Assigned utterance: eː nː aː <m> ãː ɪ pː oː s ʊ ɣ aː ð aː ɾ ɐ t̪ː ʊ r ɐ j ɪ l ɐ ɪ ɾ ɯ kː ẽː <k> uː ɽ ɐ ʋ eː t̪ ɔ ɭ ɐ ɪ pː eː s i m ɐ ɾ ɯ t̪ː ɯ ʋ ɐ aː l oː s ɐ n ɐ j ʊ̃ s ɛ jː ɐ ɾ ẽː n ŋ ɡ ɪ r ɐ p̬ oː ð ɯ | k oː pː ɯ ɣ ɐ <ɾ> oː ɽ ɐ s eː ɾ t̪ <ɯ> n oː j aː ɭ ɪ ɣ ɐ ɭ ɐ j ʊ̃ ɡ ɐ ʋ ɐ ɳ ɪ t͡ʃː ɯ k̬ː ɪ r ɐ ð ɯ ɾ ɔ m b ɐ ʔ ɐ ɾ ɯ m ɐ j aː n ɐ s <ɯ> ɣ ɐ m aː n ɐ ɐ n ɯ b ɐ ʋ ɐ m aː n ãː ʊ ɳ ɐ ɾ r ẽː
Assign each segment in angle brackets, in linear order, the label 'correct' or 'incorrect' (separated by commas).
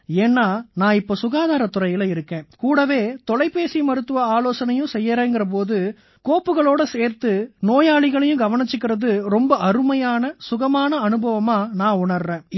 incorrect, correct, incorrect, correct, incorrect